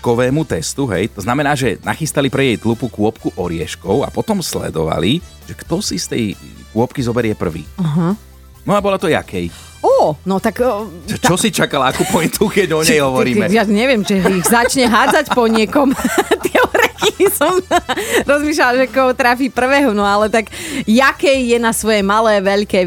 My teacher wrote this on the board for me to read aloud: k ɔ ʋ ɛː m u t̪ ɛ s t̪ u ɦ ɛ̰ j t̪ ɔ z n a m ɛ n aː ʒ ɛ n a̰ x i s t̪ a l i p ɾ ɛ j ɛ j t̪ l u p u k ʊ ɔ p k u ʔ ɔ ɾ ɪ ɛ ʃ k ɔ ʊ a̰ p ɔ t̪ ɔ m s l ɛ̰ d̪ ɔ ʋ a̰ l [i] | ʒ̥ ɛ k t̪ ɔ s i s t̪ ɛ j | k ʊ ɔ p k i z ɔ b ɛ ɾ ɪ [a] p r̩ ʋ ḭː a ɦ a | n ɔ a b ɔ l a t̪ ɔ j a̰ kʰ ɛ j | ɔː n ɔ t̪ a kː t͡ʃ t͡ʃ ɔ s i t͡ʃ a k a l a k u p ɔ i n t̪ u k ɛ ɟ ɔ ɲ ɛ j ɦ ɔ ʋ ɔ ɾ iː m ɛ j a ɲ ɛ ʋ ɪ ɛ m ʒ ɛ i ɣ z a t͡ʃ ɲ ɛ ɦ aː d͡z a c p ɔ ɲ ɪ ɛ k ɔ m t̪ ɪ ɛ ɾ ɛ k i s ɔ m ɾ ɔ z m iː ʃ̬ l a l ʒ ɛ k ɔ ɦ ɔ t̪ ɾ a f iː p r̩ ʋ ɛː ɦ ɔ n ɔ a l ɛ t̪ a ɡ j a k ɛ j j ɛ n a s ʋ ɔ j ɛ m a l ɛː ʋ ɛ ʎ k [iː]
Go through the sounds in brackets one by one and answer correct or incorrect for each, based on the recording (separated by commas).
correct, incorrect, incorrect